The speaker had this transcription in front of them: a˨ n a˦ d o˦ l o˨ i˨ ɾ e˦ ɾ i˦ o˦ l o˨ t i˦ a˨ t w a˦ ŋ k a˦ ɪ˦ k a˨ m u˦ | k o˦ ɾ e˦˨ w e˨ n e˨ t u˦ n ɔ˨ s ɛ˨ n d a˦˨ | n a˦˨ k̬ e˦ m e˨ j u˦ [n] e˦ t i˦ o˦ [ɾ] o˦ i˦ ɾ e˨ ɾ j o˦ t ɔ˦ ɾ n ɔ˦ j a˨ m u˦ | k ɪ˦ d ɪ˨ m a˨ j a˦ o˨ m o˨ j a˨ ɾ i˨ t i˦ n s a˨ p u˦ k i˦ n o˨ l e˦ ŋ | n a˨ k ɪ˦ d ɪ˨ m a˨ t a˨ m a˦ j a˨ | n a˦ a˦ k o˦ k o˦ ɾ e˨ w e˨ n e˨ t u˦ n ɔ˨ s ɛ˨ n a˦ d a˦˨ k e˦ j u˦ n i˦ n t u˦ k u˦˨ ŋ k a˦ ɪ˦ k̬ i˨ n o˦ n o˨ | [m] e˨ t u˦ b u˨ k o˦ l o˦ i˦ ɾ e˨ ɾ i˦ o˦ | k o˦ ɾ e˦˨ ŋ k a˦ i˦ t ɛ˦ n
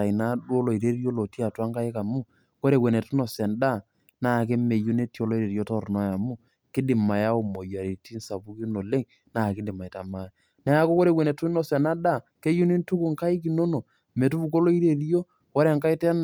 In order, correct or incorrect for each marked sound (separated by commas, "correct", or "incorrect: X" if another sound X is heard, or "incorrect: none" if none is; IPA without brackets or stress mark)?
correct, incorrect: l, correct